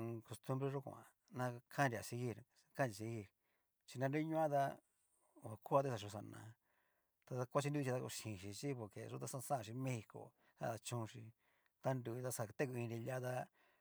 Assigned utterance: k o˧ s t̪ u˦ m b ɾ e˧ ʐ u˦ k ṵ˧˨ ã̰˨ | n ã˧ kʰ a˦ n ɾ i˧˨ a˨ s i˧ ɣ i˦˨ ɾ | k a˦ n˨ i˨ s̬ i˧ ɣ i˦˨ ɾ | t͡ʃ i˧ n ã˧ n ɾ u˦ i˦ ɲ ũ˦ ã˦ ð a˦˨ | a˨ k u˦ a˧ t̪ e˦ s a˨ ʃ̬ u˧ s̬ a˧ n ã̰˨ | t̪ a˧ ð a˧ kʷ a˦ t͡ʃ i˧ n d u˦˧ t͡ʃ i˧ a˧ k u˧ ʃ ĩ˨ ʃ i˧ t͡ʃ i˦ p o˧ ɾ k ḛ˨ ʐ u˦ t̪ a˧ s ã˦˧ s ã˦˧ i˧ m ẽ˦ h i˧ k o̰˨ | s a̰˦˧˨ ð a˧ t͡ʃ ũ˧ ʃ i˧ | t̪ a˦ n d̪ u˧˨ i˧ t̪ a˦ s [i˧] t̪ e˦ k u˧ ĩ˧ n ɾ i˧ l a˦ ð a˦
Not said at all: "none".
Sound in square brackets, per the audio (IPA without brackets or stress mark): a˧